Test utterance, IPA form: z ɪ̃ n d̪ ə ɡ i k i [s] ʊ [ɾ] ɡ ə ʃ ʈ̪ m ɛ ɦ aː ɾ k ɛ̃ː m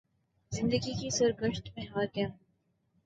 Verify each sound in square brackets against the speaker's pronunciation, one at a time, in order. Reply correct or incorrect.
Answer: correct, correct

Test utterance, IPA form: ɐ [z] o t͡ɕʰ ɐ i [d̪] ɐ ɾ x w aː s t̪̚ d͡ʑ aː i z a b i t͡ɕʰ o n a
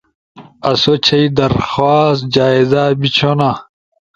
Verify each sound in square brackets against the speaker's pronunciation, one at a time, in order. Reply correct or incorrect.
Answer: incorrect: s, correct

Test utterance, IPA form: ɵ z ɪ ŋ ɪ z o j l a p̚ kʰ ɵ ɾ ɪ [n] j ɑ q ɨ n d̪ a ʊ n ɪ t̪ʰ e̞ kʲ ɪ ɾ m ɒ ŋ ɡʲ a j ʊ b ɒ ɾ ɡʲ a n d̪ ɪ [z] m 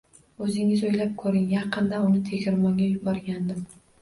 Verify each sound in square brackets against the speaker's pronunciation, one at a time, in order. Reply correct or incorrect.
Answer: incorrect: ŋ, incorrect: none

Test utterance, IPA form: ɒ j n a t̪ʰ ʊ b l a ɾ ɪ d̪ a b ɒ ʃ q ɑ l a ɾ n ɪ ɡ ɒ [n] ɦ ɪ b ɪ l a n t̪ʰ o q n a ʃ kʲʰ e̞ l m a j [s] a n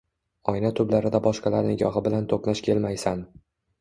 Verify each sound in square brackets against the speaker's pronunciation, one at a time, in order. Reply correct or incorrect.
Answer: incorrect: none, correct

